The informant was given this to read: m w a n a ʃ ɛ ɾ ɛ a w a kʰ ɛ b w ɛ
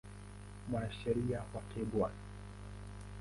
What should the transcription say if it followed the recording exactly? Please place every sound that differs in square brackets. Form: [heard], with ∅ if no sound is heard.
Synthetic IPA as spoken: m w a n a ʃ ɛ ɾ [i] a w a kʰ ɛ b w [a]